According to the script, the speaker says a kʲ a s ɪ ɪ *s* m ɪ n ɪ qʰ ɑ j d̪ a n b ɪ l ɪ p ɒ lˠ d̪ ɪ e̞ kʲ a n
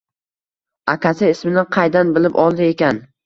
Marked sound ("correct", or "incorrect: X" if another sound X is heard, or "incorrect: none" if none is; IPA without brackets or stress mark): correct